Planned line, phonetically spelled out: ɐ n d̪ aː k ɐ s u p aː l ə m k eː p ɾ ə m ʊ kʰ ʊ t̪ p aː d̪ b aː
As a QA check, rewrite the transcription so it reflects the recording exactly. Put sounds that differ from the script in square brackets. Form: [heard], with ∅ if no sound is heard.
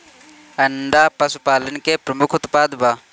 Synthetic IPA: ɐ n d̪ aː [p] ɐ s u p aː l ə [n] k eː p ɾ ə m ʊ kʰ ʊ t̪ p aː d̪ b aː